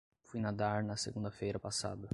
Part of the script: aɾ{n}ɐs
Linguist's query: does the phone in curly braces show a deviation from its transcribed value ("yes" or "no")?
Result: no